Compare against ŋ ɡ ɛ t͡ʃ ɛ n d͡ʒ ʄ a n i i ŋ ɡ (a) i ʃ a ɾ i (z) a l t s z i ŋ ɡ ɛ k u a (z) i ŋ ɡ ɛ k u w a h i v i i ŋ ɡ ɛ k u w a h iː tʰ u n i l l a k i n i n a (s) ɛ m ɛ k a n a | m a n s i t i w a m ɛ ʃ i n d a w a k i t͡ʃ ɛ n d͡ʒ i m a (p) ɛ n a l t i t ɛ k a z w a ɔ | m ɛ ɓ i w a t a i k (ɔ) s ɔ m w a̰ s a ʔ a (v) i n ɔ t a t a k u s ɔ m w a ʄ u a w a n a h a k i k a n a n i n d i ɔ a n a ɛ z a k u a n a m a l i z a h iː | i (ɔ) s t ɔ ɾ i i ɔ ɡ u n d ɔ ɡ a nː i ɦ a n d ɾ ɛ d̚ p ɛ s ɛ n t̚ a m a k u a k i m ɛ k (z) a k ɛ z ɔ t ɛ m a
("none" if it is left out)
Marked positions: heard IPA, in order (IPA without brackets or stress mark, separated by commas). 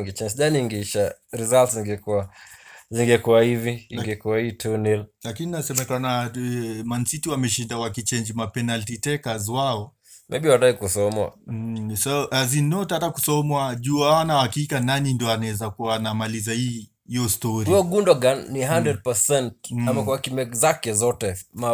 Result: ɛ, z, z, s, p, u, z, ɔ, z